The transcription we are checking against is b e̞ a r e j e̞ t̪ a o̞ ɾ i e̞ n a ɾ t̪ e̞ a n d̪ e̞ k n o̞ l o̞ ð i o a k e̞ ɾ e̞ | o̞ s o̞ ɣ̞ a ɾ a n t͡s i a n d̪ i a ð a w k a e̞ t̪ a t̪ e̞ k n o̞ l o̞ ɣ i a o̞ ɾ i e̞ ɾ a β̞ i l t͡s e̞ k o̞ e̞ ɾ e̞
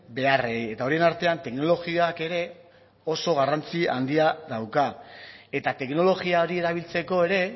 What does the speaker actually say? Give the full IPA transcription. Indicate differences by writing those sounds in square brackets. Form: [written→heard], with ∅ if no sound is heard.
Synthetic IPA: b e̞ a r e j e̞ t̪ a o̞ ɾ i e̞ n a ɾ t̪ e̞ a n [d̪→t̪] e̞ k n o̞ l o̞ [ð→ɣ] i o a k e̞ ɾ e̞ | o̞ s o̞ ɣ̞ a [ɾ→r] a n t͡s i a n d̪ i a ð a w k a e̞ t̪ a t̪ e̞ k n o̞ l o̞ ɣ i a o̞ ɾ i e̞ ɾ a β̞ i l t͡s e̞ k o̞ e̞ ɾ e̞